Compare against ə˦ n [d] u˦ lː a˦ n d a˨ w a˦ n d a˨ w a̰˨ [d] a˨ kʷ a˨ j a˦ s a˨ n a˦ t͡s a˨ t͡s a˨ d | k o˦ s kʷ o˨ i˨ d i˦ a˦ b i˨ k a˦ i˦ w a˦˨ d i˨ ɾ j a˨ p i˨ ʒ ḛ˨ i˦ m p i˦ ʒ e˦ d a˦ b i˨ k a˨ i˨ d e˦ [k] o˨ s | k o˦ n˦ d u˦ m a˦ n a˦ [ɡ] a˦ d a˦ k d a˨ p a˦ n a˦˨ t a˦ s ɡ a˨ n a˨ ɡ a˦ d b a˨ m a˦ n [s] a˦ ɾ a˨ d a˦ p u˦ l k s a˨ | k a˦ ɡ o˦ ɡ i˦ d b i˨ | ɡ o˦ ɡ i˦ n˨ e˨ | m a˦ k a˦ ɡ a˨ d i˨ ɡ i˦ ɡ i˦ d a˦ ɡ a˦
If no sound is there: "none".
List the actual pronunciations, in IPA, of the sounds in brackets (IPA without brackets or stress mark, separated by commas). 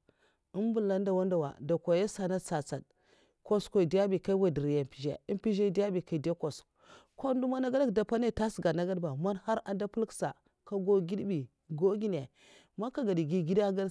b, d, k, ɡ, h